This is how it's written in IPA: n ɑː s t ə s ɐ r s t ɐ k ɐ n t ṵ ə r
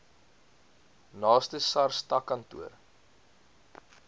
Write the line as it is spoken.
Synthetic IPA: n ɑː s t ə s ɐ r s t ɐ k ɐ n t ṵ ə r